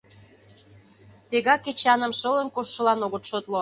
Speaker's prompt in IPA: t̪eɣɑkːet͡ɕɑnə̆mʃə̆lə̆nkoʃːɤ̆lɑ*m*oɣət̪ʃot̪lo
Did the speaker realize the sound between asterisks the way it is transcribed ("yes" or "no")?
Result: no